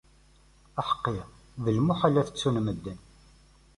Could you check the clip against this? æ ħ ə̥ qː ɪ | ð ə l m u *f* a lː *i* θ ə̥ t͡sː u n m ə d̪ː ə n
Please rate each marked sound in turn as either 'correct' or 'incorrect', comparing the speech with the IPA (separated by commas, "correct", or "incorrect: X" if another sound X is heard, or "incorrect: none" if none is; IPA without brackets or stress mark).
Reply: incorrect: ħ, incorrect: æ